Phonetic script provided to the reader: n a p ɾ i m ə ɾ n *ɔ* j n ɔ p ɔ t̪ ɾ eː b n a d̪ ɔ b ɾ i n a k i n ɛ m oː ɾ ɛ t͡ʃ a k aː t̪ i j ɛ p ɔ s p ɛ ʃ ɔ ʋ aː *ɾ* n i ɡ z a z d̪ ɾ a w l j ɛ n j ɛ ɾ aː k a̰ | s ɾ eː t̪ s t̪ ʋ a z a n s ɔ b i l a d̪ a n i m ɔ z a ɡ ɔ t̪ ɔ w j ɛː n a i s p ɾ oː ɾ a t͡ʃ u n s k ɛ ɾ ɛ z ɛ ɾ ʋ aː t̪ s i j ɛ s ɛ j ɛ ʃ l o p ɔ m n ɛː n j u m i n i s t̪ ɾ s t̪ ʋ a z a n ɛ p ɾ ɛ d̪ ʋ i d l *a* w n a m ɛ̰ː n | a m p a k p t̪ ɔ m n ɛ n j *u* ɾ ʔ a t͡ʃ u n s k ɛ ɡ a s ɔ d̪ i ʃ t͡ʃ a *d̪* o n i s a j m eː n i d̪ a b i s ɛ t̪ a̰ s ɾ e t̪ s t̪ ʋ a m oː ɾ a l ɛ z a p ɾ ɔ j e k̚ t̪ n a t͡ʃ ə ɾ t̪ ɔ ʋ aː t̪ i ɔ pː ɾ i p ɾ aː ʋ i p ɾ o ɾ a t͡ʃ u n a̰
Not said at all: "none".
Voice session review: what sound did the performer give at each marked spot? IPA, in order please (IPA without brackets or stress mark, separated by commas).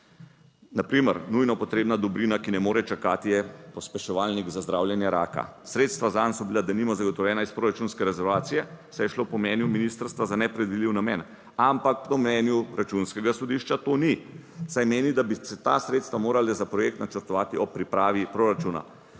u, l, i, u, t̪